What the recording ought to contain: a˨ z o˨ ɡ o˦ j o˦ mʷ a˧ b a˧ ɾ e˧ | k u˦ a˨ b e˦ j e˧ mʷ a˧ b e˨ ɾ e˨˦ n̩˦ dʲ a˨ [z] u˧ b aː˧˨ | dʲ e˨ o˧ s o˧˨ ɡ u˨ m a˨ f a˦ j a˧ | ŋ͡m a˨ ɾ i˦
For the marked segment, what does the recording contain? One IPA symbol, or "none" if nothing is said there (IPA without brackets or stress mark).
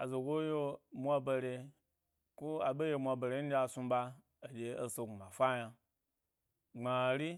s